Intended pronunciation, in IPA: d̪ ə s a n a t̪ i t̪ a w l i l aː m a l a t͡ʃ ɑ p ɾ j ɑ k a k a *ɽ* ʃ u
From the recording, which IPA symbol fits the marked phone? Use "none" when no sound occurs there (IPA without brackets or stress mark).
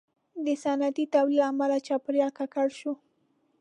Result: ɽ